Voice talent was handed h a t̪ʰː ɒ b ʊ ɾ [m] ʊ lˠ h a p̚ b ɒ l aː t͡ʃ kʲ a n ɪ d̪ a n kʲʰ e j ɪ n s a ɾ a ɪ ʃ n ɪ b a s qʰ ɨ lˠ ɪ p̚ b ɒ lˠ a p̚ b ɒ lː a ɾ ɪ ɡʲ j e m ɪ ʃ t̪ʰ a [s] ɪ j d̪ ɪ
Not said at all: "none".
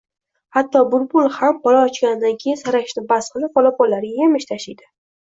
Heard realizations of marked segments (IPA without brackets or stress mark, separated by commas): b, ʃ